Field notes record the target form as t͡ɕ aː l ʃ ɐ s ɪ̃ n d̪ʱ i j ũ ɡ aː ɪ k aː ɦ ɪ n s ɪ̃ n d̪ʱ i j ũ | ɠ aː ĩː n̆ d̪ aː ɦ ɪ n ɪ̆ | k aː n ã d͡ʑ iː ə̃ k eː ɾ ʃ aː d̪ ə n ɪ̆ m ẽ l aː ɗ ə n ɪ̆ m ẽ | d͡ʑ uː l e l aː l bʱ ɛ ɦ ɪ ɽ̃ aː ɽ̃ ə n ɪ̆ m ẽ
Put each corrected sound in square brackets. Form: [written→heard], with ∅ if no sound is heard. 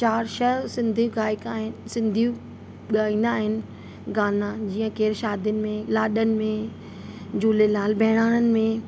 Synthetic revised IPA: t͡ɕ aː [l→ɾ] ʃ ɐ s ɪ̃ n d̪ʱ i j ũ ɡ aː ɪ k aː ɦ ɪ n s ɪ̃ n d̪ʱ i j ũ | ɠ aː ĩː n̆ d̪ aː ɦ ɪ n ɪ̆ | [k→ɡ] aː n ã d͡ʑ iː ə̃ k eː ɾ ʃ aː d̪ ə n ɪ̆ m ẽ l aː ɗ ə n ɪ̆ m ẽ | d͡ʑ uː l e l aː l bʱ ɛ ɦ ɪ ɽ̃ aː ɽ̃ ə n ɪ̆ m ẽ